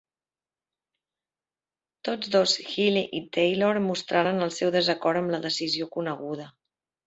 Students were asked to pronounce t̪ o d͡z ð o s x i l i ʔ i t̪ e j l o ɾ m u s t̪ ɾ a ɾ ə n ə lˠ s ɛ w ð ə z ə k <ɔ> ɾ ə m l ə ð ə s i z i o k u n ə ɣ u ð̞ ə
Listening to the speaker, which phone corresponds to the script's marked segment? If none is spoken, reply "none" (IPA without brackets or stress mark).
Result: ɔ